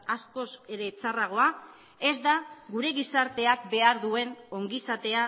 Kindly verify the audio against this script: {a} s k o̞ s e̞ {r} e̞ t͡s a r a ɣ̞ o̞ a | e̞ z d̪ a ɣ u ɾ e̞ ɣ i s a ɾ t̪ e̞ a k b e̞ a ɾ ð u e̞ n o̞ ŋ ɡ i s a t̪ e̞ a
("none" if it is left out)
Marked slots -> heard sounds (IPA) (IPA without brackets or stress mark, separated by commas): a, ɾ